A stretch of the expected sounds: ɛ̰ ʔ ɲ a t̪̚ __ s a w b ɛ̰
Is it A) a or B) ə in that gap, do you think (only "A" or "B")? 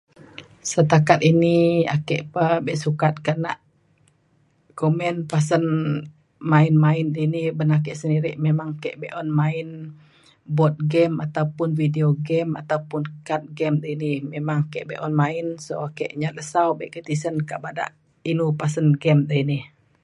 B